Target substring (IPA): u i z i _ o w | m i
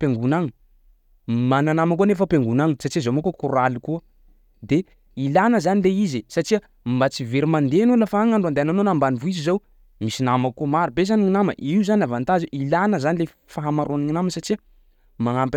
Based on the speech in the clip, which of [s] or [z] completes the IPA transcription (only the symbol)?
z